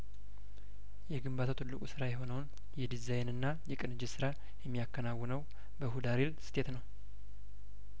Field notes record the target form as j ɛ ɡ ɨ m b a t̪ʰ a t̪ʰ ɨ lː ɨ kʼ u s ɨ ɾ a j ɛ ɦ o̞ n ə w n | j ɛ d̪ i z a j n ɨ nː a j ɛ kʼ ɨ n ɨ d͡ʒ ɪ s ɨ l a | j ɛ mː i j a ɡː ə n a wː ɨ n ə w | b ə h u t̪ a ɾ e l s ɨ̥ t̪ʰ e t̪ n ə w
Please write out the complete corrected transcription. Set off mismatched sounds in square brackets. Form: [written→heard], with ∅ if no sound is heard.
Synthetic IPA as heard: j ɛ ɡ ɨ m b a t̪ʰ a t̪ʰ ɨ lː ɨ kʼ u s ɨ ɾ a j ɛ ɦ o̞ n ə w n | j ɛ d̪ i z a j n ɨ nː a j ɛ kʼ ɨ n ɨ d͡ʒ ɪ s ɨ [l→ɾ] a | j ɛ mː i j a [ɡː→kː] ə n a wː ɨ n ə w | b ə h u [t̪→d̪] a ɾ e l s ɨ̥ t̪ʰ e t̪ n ə w